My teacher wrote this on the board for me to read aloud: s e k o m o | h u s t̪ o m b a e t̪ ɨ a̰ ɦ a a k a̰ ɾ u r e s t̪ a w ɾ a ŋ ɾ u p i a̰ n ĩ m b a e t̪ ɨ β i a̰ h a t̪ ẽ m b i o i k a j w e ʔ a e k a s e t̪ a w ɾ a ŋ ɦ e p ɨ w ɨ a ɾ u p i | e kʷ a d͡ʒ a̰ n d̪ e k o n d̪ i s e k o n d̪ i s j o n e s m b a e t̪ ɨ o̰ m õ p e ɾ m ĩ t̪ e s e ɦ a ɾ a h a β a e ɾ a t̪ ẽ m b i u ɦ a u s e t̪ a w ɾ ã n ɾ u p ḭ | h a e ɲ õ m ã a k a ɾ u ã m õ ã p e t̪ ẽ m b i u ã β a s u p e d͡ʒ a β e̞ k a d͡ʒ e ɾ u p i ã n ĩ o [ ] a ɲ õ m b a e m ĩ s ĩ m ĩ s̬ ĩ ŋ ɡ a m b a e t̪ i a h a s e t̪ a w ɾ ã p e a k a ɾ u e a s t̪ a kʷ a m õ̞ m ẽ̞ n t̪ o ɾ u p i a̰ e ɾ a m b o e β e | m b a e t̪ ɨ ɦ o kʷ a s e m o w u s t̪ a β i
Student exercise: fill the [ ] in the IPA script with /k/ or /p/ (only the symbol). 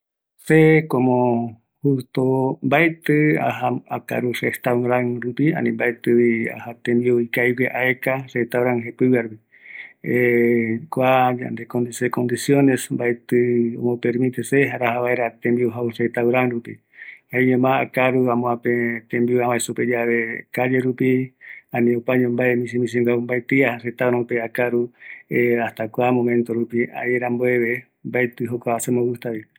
p